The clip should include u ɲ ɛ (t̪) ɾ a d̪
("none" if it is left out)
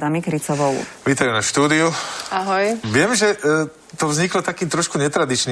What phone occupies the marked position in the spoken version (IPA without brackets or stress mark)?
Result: t̪